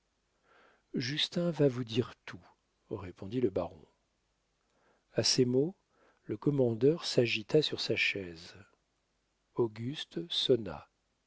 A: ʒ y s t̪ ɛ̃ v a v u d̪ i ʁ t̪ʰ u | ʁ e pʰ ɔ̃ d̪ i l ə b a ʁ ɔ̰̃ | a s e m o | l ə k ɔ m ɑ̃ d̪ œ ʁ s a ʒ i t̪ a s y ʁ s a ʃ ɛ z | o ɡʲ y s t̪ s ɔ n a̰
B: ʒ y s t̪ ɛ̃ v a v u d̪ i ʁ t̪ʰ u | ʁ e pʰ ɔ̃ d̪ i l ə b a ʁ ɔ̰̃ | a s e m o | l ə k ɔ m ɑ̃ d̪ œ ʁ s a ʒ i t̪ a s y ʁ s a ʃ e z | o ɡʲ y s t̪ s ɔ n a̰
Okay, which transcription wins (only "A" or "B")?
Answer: A